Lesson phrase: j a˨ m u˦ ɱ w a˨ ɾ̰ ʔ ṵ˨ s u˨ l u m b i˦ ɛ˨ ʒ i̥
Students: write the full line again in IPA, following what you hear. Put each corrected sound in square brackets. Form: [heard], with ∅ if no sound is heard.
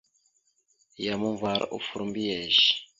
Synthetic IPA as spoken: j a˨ m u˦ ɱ [v] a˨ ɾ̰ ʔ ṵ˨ [f] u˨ [ɾ] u m b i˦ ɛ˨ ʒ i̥